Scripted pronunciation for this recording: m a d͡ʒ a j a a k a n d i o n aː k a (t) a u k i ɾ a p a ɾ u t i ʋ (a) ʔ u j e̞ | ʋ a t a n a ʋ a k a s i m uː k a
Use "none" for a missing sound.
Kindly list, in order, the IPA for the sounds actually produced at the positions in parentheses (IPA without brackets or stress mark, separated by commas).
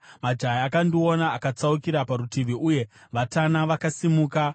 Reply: t͡s, i